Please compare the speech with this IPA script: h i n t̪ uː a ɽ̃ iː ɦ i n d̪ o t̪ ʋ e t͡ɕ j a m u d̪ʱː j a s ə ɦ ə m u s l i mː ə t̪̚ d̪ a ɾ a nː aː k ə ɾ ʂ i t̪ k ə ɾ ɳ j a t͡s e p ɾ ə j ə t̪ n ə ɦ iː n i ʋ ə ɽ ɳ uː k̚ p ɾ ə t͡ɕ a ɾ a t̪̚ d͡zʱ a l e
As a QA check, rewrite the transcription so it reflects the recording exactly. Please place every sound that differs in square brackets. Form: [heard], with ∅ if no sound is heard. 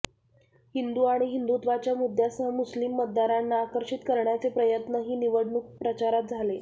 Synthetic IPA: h i n [d̪] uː a ɽ̃ [i] ɦ i n d̪ [u] t̪ ʋ [a] t͡ɕ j a m u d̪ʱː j a s ə ɦ ə m u s l i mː ə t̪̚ d̪ a ɾ a nː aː k ə ɾ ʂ i t̪ k ə ɾ ɳ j a t͡s e p ɾ ə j ə t̪ n ə ɦ iː n i ʋ ə ɽ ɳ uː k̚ p ɾ ə t͡ɕ a ɾ a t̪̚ d͡zʱ a l e